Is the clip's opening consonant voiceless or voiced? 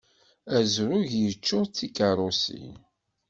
voiced